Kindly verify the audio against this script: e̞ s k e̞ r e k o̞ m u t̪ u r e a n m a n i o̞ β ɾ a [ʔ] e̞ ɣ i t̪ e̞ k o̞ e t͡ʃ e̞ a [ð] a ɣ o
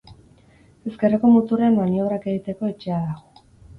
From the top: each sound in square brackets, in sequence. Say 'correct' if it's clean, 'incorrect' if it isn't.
incorrect: k, correct

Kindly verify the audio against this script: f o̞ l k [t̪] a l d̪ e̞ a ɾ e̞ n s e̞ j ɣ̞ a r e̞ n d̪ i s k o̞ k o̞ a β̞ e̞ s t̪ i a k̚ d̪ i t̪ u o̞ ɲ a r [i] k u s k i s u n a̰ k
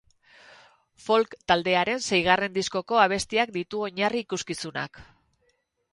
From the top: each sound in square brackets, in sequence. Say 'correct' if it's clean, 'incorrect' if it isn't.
correct, incorrect: iː

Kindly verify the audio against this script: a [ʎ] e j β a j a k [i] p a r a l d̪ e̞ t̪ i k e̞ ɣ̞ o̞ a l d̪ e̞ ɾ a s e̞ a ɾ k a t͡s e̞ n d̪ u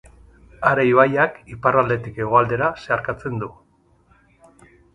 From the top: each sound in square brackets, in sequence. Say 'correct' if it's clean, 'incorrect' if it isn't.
incorrect: ɾ, correct

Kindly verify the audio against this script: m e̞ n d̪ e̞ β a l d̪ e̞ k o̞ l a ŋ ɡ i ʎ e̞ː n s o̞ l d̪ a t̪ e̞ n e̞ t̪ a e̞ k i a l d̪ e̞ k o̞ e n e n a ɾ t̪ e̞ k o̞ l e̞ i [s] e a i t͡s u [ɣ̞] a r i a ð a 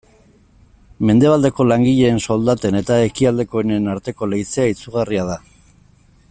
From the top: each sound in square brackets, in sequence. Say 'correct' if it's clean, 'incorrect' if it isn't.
incorrect: t͡s, correct

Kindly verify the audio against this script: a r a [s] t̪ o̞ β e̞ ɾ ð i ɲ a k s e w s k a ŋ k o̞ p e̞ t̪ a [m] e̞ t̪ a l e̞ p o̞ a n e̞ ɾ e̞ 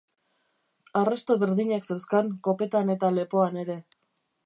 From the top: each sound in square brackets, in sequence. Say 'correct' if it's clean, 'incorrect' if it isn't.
correct, incorrect: n

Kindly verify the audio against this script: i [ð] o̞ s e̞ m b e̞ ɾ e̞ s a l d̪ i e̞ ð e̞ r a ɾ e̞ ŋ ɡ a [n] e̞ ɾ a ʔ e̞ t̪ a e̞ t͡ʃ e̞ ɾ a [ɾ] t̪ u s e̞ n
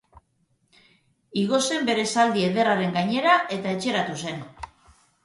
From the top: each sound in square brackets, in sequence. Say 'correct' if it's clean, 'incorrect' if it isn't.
incorrect: ɣ, incorrect: ɲ, incorrect: none

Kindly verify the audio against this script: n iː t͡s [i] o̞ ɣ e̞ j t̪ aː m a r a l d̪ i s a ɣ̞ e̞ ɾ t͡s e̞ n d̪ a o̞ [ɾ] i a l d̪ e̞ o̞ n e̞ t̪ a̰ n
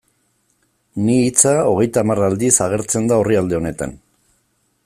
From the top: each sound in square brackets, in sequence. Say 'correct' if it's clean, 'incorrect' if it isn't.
incorrect: a, incorrect: r

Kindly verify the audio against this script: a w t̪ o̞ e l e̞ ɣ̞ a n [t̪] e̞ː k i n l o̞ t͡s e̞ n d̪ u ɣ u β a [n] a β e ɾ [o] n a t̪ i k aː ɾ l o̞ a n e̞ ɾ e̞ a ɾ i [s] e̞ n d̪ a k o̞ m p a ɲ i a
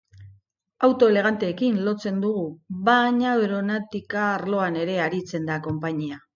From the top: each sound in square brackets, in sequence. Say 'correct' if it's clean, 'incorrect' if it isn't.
correct, incorrect: ɲ, correct, incorrect: t͡s

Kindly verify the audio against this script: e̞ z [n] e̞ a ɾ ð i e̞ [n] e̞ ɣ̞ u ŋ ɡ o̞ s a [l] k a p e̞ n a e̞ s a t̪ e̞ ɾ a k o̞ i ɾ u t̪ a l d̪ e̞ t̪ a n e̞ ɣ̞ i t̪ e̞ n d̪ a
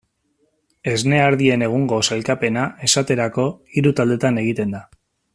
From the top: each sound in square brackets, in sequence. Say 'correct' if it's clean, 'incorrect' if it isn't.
correct, correct, correct

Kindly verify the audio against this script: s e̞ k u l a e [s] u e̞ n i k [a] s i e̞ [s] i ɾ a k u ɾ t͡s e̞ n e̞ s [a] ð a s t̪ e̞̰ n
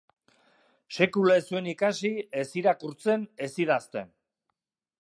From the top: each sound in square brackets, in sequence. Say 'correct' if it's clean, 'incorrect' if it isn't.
correct, correct, correct, incorrect: i

